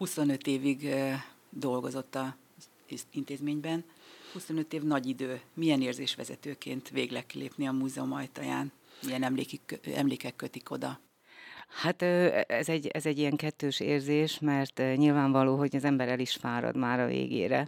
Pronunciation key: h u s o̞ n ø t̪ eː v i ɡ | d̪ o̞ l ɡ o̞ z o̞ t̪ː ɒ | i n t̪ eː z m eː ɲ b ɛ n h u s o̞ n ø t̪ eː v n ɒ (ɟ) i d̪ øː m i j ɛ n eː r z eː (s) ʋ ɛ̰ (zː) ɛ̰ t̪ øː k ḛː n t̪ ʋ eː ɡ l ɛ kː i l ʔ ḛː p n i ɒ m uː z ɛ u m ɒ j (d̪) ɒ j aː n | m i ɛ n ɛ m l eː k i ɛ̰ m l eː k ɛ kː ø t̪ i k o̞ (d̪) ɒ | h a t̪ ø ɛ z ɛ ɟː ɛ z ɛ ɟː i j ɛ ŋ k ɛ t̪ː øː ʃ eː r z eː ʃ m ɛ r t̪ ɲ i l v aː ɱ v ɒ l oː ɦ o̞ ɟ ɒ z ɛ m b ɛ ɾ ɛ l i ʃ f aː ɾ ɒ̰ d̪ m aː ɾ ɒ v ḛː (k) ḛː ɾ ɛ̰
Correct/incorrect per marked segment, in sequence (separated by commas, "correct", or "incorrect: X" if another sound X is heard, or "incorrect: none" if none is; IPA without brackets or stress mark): correct, incorrect: ʃ, incorrect: z, incorrect: t̪, correct, incorrect: ɡ